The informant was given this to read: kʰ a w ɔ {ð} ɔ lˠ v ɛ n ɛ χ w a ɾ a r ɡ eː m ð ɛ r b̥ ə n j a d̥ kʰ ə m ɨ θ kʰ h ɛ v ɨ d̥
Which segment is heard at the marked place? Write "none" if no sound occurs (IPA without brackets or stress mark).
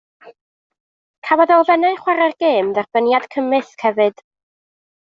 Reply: ð